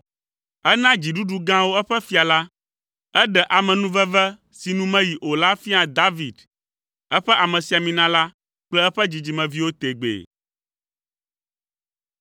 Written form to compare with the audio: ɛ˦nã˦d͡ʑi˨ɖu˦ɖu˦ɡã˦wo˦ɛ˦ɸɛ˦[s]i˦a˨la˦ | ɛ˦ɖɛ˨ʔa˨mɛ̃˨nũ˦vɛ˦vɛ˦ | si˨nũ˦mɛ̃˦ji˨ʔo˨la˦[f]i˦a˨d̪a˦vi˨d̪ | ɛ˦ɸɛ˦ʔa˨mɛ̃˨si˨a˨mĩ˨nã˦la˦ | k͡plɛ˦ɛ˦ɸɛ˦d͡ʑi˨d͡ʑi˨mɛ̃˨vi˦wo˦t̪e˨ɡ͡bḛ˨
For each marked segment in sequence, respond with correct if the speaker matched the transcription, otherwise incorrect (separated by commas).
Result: incorrect, correct